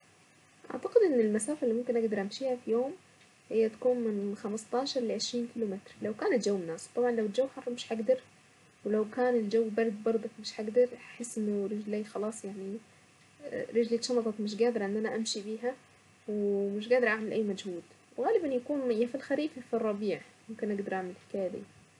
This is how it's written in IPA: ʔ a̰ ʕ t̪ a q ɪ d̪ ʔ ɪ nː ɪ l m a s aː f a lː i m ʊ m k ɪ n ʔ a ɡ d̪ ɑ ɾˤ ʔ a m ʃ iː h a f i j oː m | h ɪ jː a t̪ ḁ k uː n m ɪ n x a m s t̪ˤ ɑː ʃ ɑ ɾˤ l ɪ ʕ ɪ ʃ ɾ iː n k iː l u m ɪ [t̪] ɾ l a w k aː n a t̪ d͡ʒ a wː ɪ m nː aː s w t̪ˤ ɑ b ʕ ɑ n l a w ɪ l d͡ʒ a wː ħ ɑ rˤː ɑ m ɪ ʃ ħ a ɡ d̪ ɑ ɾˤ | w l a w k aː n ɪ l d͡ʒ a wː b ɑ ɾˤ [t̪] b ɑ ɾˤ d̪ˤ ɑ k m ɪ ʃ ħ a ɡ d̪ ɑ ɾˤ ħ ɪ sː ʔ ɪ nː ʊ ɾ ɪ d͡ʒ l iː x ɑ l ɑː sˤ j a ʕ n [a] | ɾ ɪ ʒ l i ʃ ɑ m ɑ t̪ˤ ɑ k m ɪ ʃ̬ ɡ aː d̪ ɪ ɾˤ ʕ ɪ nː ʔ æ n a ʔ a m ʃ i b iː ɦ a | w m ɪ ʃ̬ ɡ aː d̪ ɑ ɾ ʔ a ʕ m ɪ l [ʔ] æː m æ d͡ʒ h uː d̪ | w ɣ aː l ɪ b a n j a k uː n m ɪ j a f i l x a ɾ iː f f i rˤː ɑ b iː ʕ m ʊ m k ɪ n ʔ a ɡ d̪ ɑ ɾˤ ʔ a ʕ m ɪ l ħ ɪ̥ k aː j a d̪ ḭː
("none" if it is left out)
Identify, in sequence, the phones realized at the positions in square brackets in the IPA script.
t̪, d̪, i, ʔ

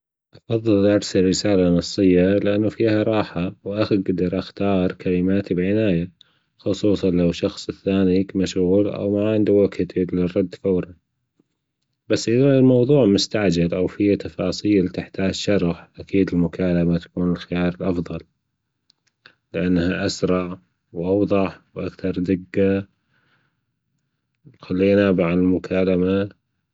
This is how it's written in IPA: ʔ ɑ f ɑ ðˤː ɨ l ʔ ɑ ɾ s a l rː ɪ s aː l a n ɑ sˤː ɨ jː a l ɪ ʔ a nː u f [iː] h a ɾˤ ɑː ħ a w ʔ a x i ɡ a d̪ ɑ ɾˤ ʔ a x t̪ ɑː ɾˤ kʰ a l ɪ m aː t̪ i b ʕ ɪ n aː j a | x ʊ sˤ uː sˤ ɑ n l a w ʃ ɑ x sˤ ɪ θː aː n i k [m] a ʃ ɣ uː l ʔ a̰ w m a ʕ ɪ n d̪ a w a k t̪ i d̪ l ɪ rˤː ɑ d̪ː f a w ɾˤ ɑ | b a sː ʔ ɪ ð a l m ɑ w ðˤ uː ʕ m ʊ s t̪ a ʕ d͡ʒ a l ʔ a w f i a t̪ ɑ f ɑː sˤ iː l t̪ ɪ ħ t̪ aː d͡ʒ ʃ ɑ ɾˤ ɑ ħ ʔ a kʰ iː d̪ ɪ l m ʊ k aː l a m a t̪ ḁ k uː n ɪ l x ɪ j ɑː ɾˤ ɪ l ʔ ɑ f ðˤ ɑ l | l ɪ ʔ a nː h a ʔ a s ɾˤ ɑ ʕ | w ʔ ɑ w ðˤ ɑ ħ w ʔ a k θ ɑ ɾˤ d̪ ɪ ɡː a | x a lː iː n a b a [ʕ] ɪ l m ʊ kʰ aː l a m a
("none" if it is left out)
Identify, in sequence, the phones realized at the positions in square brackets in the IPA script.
iː, m, ʕ

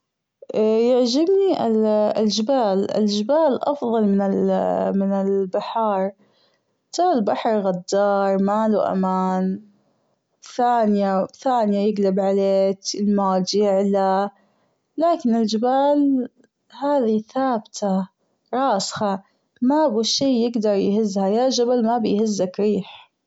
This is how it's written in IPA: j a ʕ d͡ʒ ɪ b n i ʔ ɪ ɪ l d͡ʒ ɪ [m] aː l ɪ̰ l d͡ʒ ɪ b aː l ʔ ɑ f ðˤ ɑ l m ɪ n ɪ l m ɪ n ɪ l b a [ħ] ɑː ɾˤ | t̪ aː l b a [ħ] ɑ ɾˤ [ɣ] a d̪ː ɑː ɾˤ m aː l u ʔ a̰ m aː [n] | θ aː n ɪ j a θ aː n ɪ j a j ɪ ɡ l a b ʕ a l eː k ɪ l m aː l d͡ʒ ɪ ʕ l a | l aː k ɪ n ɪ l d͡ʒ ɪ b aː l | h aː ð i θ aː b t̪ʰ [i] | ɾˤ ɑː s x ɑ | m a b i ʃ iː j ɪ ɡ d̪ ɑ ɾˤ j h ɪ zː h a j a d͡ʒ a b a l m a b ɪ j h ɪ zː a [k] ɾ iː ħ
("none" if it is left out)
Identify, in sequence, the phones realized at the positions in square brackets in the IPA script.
b, ħ, ħ, ɣ, n, a, k

